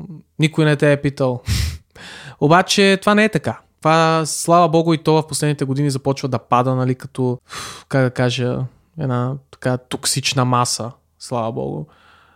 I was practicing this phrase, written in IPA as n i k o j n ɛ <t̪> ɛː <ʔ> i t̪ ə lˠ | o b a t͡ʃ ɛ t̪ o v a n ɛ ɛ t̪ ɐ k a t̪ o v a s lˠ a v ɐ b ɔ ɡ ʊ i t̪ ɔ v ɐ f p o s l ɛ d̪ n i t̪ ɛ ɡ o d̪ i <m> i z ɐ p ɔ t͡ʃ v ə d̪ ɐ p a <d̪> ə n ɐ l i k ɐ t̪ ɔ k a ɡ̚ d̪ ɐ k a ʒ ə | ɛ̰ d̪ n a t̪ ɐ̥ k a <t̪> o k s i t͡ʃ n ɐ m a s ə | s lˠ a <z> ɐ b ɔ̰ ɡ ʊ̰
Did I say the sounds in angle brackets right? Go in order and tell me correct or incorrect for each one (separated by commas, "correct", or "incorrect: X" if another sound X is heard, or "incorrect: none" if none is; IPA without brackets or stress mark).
correct, incorrect: p, incorrect: n, correct, correct, incorrect: v